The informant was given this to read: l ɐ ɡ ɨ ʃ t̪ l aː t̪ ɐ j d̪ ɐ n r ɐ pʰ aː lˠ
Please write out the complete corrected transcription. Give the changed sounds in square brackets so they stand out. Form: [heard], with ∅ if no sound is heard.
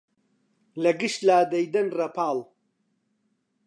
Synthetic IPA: l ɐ ɡ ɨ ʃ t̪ l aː [d̪] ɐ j d̪ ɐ n r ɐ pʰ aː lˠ